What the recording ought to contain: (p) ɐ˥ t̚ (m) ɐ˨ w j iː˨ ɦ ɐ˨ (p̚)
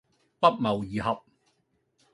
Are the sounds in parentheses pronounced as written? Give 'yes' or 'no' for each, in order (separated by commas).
yes, yes, yes